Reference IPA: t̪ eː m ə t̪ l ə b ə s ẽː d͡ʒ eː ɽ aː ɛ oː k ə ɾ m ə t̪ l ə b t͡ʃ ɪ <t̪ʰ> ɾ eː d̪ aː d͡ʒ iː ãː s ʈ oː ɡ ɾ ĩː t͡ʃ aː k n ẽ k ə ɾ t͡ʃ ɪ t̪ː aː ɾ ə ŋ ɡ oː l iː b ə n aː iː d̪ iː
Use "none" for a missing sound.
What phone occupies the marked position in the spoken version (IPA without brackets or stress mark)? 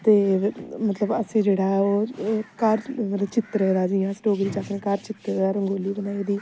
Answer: t̪